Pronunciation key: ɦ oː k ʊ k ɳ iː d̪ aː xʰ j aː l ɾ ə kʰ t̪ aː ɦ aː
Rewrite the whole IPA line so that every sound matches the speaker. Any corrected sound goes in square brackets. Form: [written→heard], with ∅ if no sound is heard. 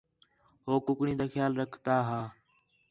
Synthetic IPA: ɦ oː k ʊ k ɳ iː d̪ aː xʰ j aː l ɾ ə kʰ t̪ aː ɦ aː